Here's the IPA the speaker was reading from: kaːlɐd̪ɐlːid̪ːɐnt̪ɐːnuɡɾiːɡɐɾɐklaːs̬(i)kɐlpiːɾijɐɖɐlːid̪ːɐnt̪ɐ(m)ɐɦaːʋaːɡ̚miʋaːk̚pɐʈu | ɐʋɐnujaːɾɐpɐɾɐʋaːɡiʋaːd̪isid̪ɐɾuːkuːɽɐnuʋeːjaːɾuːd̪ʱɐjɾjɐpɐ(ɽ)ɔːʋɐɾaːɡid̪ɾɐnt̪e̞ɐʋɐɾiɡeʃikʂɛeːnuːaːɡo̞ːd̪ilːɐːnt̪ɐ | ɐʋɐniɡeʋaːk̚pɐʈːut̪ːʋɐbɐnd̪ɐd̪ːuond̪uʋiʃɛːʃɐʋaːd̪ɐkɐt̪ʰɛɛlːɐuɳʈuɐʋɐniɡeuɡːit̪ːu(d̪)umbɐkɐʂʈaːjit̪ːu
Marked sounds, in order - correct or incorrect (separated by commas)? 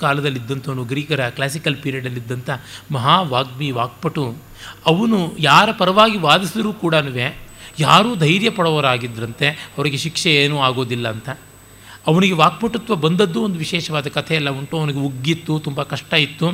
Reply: correct, correct, correct, incorrect